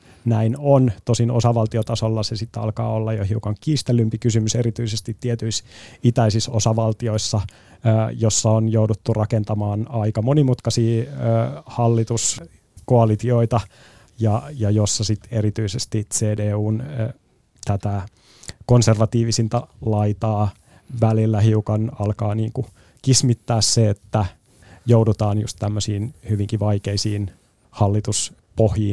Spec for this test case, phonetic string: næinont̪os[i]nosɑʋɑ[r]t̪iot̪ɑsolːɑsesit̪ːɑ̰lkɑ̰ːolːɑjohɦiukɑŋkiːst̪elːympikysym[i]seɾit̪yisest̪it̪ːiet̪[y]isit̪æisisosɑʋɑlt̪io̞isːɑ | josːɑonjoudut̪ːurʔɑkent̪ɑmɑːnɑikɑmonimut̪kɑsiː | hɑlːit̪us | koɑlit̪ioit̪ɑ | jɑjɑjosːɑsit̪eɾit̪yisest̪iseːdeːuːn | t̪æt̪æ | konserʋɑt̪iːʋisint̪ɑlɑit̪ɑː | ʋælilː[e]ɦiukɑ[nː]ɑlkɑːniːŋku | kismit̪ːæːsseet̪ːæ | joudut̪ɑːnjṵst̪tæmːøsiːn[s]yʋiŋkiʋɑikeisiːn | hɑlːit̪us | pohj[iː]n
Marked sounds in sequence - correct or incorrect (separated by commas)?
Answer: correct, incorrect, incorrect, correct, incorrect, incorrect, incorrect, correct